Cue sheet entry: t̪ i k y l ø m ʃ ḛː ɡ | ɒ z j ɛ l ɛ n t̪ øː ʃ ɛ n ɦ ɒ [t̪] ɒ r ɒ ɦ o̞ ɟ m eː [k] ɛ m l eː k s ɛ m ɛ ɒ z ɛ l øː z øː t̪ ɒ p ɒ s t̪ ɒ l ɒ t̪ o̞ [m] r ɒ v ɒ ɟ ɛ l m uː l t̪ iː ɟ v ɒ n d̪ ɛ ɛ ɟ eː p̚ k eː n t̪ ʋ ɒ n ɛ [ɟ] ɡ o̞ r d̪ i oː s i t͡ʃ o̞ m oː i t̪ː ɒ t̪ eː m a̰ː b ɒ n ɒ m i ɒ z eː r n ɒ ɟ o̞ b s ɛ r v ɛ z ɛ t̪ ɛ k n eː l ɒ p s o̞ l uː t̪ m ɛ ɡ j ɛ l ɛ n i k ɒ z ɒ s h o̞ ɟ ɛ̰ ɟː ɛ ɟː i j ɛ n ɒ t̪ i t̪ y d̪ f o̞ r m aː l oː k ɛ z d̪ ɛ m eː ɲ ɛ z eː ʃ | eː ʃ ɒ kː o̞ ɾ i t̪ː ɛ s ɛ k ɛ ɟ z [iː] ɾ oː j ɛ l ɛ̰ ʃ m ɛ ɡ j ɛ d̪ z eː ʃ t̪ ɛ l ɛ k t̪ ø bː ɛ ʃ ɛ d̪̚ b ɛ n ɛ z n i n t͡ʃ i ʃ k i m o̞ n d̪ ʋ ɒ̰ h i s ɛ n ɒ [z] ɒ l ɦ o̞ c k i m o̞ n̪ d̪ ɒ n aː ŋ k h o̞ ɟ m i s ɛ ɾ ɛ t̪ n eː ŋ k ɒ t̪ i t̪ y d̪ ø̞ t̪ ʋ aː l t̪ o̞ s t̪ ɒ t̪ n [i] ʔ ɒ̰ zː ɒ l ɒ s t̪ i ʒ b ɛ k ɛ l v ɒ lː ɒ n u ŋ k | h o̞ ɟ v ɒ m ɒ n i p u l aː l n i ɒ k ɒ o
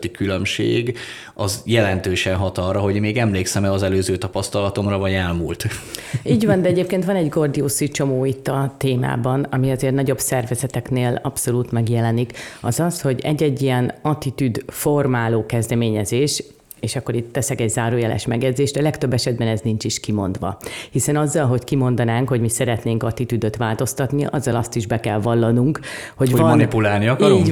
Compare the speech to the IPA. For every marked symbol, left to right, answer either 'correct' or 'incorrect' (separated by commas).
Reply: correct, incorrect, correct, correct, incorrect, incorrect, correct